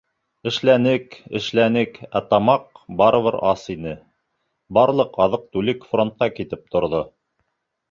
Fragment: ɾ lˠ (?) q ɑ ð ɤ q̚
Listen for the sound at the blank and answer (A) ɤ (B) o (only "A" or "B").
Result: A